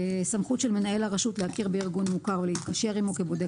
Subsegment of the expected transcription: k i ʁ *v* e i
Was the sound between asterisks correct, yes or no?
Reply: no